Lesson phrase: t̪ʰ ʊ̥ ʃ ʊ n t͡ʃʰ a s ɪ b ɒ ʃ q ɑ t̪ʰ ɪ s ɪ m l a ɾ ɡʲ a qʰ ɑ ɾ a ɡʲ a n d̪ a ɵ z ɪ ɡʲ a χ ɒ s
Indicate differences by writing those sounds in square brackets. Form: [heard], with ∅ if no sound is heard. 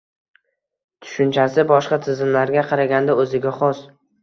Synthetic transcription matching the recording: t̪ʰ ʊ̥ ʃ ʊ n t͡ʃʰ a s ɪ b ɒ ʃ q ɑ t̪ʰ ɪ [z] ɪ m l a ɾ ɡʲ a qʰ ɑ ɾ a ɡʲ a n d̪ a ɵ z ɪ ɡʲ a χ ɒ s